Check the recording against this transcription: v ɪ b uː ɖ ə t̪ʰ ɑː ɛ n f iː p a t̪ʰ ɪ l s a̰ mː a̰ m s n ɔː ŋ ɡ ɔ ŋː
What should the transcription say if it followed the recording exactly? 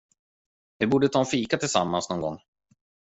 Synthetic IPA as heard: v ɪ b uː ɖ ə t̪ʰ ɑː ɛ n f iː k a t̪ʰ ɪ l s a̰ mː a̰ n s n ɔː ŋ ɡ ɔ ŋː